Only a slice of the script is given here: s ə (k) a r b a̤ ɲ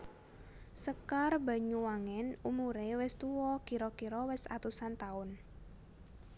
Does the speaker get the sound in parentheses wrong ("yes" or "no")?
no